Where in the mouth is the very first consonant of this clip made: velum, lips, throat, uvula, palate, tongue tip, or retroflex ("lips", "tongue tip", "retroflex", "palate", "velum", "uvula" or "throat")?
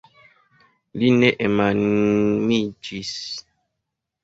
tongue tip